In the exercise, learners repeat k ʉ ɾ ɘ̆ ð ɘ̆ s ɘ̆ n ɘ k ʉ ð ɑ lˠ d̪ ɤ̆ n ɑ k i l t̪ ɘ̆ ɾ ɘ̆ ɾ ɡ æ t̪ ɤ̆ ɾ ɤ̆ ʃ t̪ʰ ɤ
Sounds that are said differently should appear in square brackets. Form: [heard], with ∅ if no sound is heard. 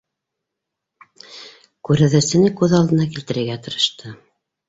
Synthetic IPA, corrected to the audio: k ʉ ɾ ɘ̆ ð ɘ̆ s ɘ̆ n ɘ k ʉ ð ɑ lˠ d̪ ɤ̆ n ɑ k i l t̪ ɘ̆ ɾ ɘ̆ ɾ ɡ æ t̪ ɤ̆ ɾ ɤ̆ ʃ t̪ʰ ɤ